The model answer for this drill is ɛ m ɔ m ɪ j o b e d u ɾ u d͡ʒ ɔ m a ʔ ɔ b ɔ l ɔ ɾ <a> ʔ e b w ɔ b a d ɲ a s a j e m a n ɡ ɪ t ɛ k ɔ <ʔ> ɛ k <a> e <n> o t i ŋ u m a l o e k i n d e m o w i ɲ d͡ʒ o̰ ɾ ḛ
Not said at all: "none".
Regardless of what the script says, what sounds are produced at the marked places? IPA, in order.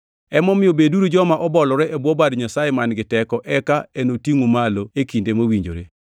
ɛ, ʔ, a, n

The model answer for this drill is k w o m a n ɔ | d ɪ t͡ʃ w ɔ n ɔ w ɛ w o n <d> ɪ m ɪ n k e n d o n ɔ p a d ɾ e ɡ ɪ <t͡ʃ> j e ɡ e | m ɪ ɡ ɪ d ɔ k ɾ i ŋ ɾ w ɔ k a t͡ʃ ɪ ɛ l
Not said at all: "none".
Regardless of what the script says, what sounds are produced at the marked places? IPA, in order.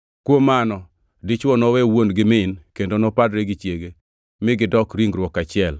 ɡ, t͡ʃ

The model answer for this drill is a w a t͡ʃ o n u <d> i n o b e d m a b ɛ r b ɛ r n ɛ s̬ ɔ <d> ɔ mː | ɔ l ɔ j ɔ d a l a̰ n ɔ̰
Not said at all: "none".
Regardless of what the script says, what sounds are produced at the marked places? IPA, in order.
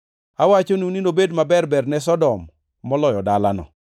n, d

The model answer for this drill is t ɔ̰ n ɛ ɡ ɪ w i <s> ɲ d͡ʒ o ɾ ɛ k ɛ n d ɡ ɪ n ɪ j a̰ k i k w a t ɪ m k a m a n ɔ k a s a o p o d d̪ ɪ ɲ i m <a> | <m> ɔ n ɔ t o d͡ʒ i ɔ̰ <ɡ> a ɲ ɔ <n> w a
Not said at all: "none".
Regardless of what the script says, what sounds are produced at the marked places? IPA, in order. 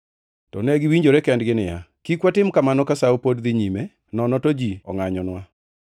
none, e, n, ŋ, n

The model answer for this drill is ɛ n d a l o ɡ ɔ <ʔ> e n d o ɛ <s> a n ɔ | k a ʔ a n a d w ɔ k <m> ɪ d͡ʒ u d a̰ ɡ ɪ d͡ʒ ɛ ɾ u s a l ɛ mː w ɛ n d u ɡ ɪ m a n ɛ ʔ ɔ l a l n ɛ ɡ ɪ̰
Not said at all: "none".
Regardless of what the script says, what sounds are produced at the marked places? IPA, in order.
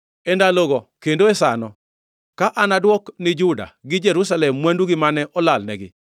k, s, n

